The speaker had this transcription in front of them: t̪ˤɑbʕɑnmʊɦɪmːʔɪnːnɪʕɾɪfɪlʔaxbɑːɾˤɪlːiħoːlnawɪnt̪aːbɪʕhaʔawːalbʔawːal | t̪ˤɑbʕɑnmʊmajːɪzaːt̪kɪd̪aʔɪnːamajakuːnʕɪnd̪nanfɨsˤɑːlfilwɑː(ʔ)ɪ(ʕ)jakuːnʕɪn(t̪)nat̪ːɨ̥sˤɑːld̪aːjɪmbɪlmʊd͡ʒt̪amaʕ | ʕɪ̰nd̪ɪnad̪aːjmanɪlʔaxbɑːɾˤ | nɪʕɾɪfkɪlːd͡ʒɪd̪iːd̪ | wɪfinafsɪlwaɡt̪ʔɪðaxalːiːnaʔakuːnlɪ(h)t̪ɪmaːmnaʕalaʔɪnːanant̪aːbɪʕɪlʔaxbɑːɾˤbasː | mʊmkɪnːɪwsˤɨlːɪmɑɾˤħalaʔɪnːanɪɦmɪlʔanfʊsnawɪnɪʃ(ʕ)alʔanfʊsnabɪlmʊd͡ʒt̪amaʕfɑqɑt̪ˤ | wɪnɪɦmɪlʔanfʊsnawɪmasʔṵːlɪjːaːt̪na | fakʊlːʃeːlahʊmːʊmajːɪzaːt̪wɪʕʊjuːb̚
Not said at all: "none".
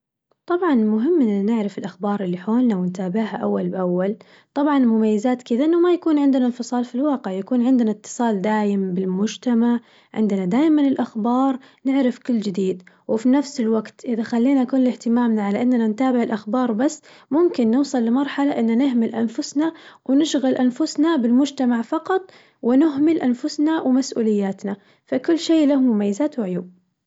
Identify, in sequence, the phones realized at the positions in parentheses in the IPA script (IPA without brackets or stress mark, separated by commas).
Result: q, ʕ, d̪, h, ɣ